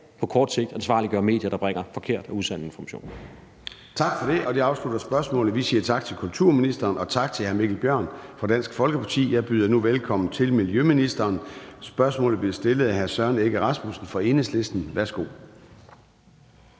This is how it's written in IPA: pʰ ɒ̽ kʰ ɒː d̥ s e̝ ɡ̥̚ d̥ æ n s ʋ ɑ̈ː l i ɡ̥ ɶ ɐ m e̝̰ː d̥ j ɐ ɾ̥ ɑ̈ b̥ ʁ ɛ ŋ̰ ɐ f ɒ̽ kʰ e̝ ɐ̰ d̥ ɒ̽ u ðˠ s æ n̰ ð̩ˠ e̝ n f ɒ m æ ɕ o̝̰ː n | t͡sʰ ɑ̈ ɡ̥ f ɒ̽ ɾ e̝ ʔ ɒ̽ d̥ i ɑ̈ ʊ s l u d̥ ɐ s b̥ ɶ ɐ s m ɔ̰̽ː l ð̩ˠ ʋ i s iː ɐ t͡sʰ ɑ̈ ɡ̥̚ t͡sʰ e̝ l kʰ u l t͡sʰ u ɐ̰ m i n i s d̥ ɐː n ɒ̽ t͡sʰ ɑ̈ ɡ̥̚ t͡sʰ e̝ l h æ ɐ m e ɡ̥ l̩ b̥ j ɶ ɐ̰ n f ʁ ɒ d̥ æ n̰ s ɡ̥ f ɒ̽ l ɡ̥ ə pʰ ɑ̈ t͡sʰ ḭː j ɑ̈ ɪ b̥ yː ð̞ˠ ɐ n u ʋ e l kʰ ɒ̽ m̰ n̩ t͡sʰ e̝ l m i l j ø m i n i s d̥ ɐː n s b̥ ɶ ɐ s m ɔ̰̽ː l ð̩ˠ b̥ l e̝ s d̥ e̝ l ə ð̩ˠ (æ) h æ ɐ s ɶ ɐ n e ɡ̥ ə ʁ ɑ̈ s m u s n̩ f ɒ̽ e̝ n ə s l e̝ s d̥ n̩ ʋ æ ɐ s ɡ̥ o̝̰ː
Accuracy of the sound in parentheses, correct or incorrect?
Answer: correct